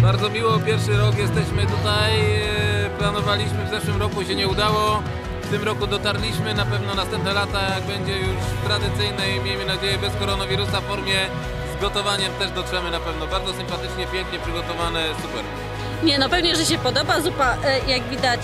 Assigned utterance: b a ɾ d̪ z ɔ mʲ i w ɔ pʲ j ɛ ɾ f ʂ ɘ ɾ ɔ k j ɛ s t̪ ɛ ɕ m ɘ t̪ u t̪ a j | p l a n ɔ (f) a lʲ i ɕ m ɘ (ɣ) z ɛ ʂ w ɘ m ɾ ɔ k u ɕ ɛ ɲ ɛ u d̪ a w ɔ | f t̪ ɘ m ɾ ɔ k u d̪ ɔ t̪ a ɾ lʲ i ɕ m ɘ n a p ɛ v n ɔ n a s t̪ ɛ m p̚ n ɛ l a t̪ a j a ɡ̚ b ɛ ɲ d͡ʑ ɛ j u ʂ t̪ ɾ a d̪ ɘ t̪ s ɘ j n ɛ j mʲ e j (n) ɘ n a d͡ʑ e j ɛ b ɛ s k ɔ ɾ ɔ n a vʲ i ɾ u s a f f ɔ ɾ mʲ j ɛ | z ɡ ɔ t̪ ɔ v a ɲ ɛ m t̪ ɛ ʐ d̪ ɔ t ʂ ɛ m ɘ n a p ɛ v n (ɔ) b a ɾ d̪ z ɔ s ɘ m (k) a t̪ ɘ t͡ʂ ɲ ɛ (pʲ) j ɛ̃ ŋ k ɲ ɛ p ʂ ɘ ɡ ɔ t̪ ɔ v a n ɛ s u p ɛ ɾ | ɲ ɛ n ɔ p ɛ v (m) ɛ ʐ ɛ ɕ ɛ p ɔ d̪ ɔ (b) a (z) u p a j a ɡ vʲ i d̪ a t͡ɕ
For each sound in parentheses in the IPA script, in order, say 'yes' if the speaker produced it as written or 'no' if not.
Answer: no, no, no, yes, no, yes, no, yes, yes

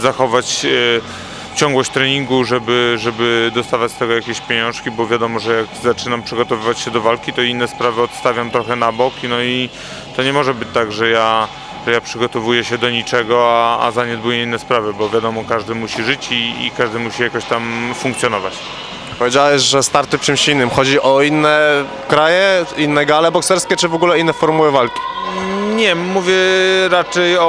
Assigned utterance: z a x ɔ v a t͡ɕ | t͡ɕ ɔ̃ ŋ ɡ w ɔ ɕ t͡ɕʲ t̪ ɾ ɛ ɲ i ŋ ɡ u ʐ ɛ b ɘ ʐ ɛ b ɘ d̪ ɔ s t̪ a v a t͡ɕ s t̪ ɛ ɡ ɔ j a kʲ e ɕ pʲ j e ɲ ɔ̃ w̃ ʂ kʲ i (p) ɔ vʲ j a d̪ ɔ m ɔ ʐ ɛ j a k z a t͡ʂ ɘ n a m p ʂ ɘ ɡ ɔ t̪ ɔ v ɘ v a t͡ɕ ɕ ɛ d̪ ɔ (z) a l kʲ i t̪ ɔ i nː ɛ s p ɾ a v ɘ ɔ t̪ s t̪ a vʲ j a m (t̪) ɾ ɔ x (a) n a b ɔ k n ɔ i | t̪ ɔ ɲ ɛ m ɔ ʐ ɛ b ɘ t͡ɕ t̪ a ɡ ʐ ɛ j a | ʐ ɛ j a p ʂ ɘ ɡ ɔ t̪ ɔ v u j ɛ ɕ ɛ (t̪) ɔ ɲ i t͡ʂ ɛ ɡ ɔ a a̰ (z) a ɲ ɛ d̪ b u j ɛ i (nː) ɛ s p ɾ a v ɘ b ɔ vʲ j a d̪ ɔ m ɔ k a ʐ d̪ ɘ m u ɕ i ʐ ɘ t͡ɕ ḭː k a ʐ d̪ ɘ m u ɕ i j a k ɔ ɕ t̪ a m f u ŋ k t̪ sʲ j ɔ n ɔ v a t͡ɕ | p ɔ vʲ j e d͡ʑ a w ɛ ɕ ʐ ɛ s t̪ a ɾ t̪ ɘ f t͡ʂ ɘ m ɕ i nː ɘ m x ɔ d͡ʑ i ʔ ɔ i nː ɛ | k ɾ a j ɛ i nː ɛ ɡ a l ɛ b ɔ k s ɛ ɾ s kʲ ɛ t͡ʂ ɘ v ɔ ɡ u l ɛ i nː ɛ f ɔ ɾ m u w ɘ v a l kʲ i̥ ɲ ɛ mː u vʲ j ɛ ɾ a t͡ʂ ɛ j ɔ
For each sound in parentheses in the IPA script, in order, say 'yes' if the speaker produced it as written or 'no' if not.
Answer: no, no, yes, no, no, yes, yes

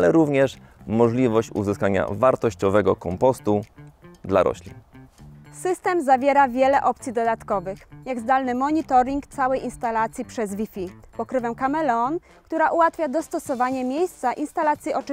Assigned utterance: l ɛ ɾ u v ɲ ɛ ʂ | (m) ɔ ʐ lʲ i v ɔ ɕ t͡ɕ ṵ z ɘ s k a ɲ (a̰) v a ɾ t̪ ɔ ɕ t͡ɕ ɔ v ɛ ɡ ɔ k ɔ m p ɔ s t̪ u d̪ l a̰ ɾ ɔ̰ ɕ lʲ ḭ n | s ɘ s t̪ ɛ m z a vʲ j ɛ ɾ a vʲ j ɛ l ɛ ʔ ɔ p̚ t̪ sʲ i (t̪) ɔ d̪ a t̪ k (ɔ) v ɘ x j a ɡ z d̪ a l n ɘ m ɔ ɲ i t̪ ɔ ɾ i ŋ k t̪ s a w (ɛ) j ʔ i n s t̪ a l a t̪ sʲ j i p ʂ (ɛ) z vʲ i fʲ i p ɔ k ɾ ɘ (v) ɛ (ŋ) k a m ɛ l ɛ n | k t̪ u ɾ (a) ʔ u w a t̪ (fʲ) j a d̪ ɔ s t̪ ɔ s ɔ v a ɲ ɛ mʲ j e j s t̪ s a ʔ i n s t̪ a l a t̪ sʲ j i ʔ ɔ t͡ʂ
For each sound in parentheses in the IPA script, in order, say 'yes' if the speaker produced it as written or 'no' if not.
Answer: yes, yes, no, yes, yes, yes, yes, no, yes, yes

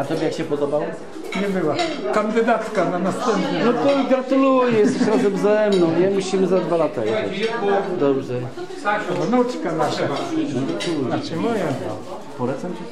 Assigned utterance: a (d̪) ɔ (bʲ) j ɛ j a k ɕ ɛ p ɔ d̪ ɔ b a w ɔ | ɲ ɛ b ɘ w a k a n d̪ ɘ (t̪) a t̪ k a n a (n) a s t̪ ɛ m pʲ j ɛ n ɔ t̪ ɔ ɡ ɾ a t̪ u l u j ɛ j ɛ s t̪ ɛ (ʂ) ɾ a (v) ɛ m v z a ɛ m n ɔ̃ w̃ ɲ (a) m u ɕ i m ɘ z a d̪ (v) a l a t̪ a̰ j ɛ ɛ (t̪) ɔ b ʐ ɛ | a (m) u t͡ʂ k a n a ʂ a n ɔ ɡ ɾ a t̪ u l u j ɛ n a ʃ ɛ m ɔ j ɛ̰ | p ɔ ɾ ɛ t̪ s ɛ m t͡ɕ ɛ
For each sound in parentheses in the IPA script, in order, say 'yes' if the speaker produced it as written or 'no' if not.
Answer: no, yes, no, yes, no, no, no, yes, no, no

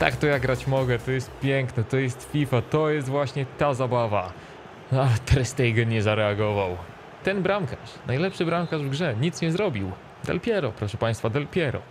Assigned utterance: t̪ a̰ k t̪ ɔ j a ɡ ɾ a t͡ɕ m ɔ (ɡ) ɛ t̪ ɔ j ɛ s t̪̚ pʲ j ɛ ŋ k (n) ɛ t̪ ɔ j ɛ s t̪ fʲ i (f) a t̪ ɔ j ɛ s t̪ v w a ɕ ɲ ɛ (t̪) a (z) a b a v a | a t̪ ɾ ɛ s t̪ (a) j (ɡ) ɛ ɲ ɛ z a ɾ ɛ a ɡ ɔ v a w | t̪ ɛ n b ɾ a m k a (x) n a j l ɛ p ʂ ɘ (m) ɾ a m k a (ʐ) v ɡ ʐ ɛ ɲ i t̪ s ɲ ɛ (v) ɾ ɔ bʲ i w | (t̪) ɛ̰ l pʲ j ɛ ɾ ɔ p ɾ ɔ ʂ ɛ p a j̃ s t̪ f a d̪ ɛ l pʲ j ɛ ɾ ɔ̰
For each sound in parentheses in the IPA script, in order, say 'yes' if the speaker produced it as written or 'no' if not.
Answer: yes, yes, yes, yes, yes, no, yes, no, no, yes, no, no

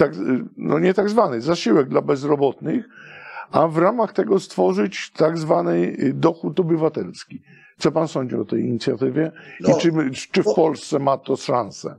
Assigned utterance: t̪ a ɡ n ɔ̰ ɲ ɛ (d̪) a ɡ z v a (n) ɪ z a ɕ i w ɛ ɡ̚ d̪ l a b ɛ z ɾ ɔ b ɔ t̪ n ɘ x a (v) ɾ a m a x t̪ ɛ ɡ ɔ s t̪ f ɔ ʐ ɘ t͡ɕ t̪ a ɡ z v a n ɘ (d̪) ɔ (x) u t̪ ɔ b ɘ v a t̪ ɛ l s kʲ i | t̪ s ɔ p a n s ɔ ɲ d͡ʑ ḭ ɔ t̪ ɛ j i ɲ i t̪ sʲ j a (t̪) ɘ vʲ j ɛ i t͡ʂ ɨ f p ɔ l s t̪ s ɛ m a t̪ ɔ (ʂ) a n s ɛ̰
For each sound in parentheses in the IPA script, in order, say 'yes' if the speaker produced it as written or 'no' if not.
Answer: no, yes, yes, yes, yes, yes, yes

